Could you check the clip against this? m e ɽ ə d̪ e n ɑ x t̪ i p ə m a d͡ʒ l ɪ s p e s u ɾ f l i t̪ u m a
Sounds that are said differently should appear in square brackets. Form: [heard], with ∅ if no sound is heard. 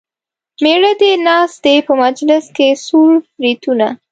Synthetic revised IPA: m e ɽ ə d̪ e n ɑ [s] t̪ [e] p ə m a d͡ʒ l ɪ s [k] e s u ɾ f [ɾ] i t̪ u [n] a